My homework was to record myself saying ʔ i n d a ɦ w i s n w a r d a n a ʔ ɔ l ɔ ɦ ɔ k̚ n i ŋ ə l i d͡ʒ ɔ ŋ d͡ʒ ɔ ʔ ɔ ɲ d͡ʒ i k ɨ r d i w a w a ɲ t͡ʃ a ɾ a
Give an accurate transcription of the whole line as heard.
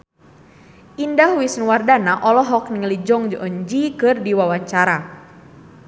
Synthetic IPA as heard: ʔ i n d a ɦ w i s n w a r d a n a ʔ ɔ l ɔ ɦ ɔ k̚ n i ŋ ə l i d͡ʒ ɔ ŋ d͡ʒ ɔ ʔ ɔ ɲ d͡ʒ i k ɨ r d i w a w a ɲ t͡ʃ a ɾ a